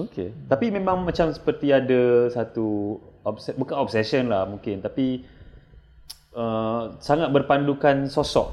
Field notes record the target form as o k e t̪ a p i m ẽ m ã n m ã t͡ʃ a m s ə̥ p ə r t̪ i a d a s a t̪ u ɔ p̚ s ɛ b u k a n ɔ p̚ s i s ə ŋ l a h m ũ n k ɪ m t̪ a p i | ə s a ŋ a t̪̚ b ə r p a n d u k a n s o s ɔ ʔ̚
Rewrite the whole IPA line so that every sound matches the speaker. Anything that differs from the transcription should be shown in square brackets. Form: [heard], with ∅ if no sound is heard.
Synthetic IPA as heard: o k e t̪ a p i m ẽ m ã [ŋ] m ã t͡ʃ a m s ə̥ p ə r t̪ i a d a s a t̪ u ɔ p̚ s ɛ b u k a n ɔ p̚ s [ɛ] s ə [n] l a h m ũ [ŋ] k ɪ [n] t̪ a p i | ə s a ŋ a t̪̚ b ə r p a n d u k a n s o s ɔ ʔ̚